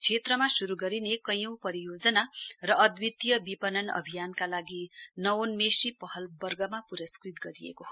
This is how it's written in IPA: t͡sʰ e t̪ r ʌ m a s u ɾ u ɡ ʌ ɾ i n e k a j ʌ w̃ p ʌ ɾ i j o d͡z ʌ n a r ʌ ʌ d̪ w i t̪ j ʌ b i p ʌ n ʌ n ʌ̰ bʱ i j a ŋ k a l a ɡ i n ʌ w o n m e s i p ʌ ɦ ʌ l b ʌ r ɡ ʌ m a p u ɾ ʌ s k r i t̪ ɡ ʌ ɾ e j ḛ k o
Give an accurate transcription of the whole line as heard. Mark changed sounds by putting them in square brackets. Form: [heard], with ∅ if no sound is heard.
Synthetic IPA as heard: t͡sʰ e t̪ r ʌ m a s u ɾ u ɡ ʌ ɾ i n e k [ʌ] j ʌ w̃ p ʌ ɾ i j o d͡z ʌ n a r ʌ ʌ d̪ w i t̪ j ʌ b i p ʌ n ʌ n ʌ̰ bʱ i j a [n] k a l a ɡ i n ʌ w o n m e s i p ʌ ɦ ʌ l b ʌ r ɡ ʌ m a p u ɾ ʌ s k r i t̪ ɡ ʌ ɾ [i] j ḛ k o

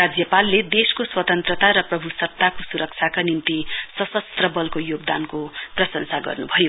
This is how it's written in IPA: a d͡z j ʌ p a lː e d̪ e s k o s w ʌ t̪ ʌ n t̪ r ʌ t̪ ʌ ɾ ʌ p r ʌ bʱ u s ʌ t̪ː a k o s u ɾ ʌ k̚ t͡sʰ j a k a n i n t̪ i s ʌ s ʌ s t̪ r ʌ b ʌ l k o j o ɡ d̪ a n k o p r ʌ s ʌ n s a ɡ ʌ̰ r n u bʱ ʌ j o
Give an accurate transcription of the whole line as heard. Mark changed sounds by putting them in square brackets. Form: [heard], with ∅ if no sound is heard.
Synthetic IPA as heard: a d͡z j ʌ p a lː e d̪ e s k o s w ʌ t̪ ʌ n t̪ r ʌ t̪ [a] ɾ ʌ p r ʌ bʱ u s ʌ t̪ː a k o s u ɾ ʌ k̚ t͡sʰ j a k a n i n t̪ i s ʌ s ʌ s t̪ r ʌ b ʌ l k o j o ɡ d̪ a n k o p r ʌ s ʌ n s a ɡ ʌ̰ r n u bʱ ʌ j o

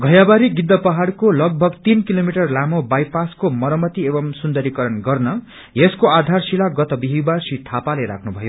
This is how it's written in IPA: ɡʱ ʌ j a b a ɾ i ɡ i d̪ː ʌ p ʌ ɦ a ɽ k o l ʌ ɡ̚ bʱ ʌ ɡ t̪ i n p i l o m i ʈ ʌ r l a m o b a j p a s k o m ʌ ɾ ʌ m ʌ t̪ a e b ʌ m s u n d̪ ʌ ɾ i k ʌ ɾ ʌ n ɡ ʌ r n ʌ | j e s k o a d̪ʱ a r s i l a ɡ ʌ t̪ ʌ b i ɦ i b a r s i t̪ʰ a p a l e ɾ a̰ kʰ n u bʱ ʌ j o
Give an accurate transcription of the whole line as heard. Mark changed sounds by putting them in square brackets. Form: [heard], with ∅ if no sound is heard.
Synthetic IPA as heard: ɡʱ ʌ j a b a ɾ i ɡ i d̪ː ʌ p ʌ ɦ a ɽ k o l ʌ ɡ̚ bʱ ʌ ɡ t̪ i n [k] i l o m i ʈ ʌ r l a m o b a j p a s k o m ʌ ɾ ʌ m ʌ t̪ [i] e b ʌ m s u n d̪ ʌ ɾ i k ʌ ɾ ʌ n ɡ ʌ r n ʌ | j e s k o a d̪ʱ a r s i l a ɡ ʌ t̪ ʌ b i ɦ i b a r s i t̪ʰ a p a l e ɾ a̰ kʰ n u bʱ ʌ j o

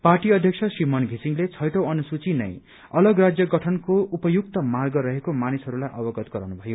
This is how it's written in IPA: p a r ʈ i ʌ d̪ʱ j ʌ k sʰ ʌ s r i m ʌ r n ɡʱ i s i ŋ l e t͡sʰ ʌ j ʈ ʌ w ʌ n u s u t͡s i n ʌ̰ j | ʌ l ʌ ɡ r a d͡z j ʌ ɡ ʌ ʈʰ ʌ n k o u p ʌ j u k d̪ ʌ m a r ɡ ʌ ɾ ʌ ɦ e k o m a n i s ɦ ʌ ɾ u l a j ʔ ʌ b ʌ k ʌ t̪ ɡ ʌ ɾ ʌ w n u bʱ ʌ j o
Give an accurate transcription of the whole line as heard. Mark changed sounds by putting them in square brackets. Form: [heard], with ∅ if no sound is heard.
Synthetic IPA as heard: p a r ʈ i ʌ d̪ʱ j ʌ k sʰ ʌ s r i m ʌ [∅] n ɡʱ i s i ŋ l e t͡sʰ ʌ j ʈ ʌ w ʌ n u s u t͡s i n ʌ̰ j | ʌ l ʌ ɡ r a d͡z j ʌ ɡ ʌ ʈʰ ʌ n k o u p ʌ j u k [t̪] ʌ m a r ɡ ʌ ɾ ʌ ɦ e k o m a n i s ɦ ʌ ɾ u l a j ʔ ʌ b ʌ [ɡ] ʌ t̪ ɡ ʌ ɾ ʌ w n u bʱ ʌ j o

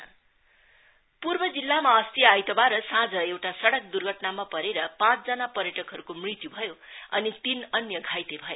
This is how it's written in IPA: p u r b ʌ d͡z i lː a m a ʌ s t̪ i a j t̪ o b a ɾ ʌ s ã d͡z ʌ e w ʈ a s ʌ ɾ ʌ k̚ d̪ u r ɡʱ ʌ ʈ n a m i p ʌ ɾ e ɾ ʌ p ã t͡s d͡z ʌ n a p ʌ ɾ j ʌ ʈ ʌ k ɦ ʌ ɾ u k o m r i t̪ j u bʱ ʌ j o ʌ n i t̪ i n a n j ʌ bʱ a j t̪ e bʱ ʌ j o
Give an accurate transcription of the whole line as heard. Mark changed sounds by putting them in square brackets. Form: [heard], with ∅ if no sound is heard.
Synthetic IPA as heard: p u r b ʌ d͡z i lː a m a ʌ s t̪ i a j t̪ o b a ɾ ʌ s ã d͡z ʌ e w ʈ a s ʌ [ɽ] ʌ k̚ d̪ u r ɡʱ ʌ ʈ n a m [a] p ʌ ɾ e ɾ ʌ p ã t͡s d͡z ʌ n a p ʌ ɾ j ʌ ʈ ʌ k ɦ ʌ ɾ u k o m r i t̪ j u bʱ ʌ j o ʌ n i t̪ i n [ʌ] n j ʌ [ɡʱ] a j t̪ e bʱ ʌ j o

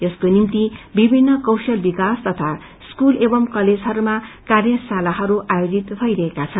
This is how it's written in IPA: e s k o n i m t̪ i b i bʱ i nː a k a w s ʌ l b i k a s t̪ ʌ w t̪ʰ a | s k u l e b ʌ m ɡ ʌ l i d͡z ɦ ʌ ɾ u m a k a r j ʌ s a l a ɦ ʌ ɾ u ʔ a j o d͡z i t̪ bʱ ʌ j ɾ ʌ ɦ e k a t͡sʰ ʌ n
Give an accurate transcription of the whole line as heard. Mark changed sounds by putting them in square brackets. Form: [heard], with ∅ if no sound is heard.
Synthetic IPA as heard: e s k o n i m t̪ i b i bʱ i nː [ʌ] k [ʌ] w s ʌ l b i k a s t̪ ʌ [∅] t̪ʰ a | s k u l e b ʌ m [k] ʌ l [e] d͡z ɦ ʌ ɾ u m a k a r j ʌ s a l a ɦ ʌ ɾ u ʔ a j o d͡z i t̪ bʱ ʌ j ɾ ʌ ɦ e k a t͡sʰ ʌ n

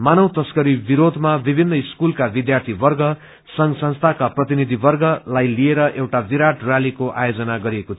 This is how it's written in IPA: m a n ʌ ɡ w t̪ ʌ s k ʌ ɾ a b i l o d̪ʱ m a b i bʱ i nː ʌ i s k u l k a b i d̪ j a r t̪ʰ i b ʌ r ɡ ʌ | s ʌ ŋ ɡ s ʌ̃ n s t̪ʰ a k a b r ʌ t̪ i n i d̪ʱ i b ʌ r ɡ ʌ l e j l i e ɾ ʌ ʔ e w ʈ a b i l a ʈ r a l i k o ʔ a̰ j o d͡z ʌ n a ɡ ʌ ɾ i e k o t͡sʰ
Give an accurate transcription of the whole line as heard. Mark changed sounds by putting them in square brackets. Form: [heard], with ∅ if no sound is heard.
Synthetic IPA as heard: m a n ʌ [∅] w t̪ ʌ s k ʌ ɾ [i] b i [ɾ] o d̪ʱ m a b i bʱ i nː ʌ i s k u l k a b i d̪ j a r t̪ʰ i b ʌ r ɡ ʌ | s ʌ ŋ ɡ s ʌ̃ n s t̪ʰ a k a [p] r ʌ t̪ i n i d̪ʱ i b ʌ r ɡ ʌ l [a] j l i e ɾ ʌ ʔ e w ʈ a b i [ɾ] a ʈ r a l i k o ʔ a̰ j o d͡z ʌ n a ɡ ʌ ɾ i e k o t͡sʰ

